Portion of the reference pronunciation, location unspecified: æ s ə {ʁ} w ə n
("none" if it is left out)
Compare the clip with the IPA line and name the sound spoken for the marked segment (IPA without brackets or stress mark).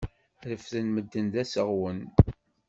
ʁ